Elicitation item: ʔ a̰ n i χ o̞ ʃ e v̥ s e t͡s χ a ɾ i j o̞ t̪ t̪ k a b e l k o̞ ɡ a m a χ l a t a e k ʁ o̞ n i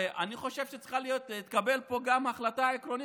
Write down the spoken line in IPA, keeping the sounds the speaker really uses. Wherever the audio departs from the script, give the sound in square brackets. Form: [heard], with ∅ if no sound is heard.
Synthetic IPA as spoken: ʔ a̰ n i χ o̞ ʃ e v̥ [ʃ] e t͡s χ a [l] i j o̞ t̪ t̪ k a b e l [p] o̞ ɡ a m a χ l a t a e k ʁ o̞ n i